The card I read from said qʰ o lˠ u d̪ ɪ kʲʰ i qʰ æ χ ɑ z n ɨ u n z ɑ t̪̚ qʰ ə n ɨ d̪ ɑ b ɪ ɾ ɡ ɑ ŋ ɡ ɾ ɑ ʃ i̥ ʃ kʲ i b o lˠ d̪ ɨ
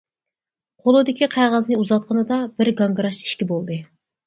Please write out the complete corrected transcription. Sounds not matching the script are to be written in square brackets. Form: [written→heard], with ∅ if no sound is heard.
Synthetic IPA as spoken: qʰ o lˠ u d̪ ɪ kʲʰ i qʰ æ [χ→ʁ] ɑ z n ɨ u [n→∅] z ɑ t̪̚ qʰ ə n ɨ d̪ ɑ b ɪ ɾ ɡ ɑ ŋ ɡ ɾ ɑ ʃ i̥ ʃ kʲ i b o lˠ d̪ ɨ